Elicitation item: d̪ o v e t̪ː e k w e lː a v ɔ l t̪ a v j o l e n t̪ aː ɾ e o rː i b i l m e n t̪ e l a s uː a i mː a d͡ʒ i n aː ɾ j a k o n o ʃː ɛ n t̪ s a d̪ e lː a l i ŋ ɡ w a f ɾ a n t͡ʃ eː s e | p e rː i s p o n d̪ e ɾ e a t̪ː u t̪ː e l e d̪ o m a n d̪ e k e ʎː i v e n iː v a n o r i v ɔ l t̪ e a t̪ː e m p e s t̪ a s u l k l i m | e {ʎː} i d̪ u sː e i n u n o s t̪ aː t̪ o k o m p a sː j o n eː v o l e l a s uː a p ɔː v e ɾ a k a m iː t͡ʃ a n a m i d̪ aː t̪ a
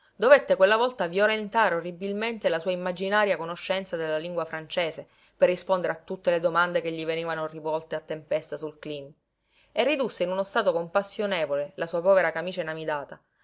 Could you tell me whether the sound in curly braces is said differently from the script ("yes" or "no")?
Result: yes